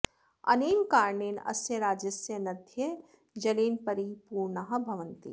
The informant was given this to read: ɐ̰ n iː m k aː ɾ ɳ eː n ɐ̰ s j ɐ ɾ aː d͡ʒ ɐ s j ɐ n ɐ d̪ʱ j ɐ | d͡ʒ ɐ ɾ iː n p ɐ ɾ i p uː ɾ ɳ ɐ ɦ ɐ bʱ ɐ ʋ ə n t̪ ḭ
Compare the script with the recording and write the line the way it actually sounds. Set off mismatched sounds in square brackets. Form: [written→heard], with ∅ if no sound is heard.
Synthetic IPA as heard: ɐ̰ n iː m k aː ɾ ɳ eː n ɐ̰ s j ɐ ɾ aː d͡ʒ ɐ s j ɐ n ɐ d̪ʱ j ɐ | d͡ʒ ɐ [ɾ→l] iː n p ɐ ɾ i p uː ɾ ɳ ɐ ɦ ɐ bʱ ɐ ʋ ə n t̪ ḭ